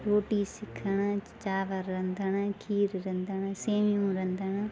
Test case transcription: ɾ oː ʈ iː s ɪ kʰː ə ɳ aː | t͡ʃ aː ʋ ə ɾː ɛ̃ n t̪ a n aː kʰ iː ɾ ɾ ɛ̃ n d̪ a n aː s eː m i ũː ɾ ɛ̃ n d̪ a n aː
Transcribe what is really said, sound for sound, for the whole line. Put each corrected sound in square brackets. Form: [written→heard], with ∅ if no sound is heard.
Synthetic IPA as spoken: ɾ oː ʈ iː s ɪ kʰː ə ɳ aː | t͡ʃ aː ʋ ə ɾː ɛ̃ n [t̪→d̪] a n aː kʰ iː ɾ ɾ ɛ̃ n d̪ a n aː s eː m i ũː ɾ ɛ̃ n d̪ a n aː